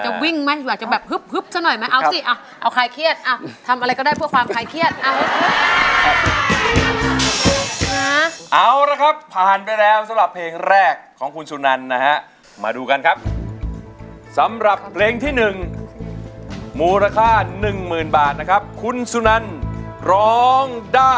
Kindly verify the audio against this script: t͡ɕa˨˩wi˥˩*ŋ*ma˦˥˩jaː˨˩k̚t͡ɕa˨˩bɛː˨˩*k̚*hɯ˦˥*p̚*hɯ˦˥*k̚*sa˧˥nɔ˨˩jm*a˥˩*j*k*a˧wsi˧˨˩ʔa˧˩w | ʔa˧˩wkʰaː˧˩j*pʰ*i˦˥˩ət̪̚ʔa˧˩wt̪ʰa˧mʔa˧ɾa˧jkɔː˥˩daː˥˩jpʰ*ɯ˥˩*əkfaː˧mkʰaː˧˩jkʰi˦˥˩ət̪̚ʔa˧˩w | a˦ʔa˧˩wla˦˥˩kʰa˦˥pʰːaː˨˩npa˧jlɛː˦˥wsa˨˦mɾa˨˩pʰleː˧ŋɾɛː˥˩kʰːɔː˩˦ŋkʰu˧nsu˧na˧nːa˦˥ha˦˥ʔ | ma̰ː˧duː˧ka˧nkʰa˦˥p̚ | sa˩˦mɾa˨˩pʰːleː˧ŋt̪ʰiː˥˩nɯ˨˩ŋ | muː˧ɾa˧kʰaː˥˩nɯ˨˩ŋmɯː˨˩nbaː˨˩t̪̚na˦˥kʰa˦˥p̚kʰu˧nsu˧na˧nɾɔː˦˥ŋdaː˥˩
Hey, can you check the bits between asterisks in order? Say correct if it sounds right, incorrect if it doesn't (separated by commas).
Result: correct, incorrect, correct, incorrect, incorrect, incorrect, incorrect, incorrect